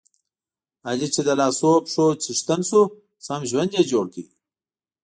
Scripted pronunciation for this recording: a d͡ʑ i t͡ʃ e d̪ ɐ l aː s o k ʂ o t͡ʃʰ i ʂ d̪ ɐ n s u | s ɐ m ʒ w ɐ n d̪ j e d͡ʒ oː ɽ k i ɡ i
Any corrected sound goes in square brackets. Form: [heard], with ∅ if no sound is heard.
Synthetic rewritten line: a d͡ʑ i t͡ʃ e d̪ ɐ l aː s o [p] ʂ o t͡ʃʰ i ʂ [t̪] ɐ n s u | s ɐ m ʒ w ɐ n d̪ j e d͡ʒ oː ɽ k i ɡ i